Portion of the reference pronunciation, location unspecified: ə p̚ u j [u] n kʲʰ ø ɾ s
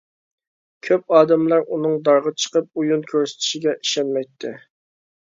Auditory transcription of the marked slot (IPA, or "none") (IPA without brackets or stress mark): u